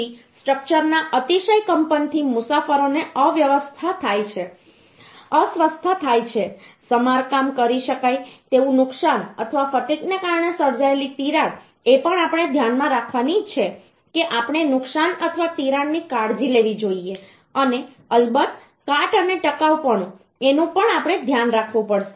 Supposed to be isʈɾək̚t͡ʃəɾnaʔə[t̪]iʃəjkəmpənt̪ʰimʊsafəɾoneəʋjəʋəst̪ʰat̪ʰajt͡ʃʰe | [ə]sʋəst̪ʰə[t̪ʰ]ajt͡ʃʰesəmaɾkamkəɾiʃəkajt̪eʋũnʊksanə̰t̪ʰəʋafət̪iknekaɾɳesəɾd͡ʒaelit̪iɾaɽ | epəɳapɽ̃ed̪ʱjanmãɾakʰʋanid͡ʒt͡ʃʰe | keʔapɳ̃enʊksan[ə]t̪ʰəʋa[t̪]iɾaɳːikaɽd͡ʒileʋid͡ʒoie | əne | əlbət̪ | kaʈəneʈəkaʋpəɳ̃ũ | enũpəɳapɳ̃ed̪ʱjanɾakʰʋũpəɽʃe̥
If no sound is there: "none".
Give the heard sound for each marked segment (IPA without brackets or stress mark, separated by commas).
t̪, ə, t̪ʰ, ə, t̪